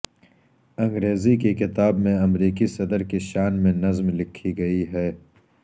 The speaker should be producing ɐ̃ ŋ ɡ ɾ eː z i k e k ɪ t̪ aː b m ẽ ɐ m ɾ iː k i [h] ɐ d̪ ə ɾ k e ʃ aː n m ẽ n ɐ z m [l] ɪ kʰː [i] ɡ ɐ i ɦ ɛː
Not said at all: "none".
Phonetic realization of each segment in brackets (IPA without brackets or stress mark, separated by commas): s, l, i